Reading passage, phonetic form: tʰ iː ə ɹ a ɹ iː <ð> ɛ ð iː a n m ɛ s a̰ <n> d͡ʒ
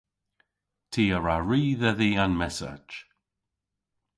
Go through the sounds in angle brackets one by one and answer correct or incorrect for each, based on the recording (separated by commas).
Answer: correct, incorrect